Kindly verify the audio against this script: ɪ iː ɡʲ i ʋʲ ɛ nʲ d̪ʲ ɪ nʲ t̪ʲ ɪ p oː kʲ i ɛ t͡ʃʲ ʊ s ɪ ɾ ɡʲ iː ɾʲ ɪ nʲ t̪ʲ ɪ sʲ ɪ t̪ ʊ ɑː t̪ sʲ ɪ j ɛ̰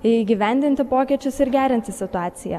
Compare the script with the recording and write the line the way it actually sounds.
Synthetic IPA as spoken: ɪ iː ɡʲ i ʋʲ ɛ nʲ d̪ʲ ɪ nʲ t̪ʲ ɪ p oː kʲ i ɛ t͡ʃʲ ʊ s ɪ ɾ ɡʲ æː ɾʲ ɪ nʲ t̪ʲ ɪ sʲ ɪ t̪ ʊ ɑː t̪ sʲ ɪ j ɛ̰